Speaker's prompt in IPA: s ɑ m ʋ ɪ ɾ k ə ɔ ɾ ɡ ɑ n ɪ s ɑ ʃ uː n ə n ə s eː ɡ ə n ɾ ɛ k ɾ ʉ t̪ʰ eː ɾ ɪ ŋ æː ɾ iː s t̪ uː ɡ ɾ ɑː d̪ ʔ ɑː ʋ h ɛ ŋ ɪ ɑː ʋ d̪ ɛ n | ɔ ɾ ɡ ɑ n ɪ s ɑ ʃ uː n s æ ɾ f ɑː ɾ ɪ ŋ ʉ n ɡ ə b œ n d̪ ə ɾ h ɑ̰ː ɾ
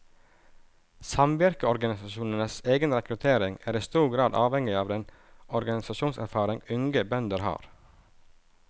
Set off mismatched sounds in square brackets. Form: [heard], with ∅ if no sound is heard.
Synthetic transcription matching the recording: s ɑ m ʋ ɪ ɾ k ə ɔ ɾ ɡ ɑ n ɪ s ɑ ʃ uː n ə n ə s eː ɡ ə n ɾ ɛ k ɾ ʉ t̪ʰ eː ɾ ɪ ŋ æː ɾ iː s t̪ uː ɡ ɾ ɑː d̪ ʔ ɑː ʋ h ɛ ŋ ɪ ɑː ʋ d̪ ɛ n | ɔ ɾ ɡ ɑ n ɪ s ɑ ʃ uː n s æ ɾ f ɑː ɾ ɪ ŋ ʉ [ŋ] ɡ ə b œ n d̪ ə ɾ h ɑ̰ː ɾ